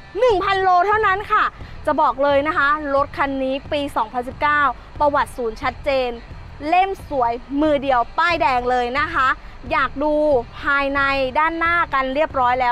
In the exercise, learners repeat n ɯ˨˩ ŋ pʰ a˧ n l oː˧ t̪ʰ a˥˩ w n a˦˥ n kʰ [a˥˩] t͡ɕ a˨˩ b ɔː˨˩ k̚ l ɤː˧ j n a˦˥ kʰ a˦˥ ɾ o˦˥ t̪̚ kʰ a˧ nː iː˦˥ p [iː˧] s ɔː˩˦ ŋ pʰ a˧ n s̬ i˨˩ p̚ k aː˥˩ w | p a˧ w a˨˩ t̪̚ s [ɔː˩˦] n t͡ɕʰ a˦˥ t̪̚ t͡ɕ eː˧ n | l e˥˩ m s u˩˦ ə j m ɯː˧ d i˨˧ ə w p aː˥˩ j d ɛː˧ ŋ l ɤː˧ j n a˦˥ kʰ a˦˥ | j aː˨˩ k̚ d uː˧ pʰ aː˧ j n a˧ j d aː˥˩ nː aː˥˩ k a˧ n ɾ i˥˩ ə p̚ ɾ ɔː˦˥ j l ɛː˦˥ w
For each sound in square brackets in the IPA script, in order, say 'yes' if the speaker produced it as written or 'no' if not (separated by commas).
yes, yes, no